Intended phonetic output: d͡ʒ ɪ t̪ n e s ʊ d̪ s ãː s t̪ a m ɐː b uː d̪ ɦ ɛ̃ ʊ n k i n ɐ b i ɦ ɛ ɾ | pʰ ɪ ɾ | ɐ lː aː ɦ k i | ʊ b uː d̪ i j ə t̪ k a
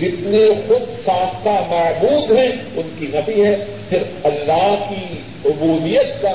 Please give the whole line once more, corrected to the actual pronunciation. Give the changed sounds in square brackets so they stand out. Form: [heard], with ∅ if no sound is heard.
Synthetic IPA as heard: d͡ʒ ɪ t̪ n e [x] ʊ d̪ s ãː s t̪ a m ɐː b uː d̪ ɦ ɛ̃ ʊ n k i n ɐ b i ɦ ɛ [∅] | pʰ ɪ ɾ | ɐ lː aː ɦ k i | ʊ b uː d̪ i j ə t̪ k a